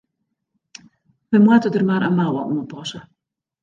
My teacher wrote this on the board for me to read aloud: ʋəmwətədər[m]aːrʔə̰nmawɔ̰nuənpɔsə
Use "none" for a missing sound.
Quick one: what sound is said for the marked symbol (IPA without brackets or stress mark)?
m